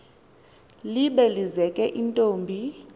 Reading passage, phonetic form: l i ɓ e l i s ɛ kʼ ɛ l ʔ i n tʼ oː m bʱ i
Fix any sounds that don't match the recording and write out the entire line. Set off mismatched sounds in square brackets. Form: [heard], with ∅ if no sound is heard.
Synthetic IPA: l i ɓ [ɛ] l i [z] ɛ kʼ ɛ [∅] ʔ i n tʼ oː m bʱ i